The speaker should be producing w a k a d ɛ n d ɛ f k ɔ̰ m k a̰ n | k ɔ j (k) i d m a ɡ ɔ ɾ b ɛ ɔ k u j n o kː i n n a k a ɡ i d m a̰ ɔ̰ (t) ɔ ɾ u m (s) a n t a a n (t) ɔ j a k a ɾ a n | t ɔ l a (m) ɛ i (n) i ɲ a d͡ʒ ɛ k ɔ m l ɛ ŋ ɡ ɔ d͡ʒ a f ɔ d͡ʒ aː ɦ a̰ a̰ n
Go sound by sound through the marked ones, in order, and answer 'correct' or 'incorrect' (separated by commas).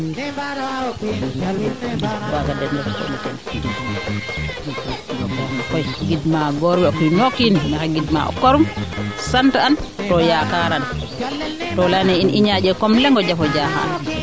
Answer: incorrect, incorrect, correct, correct, incorrect, correct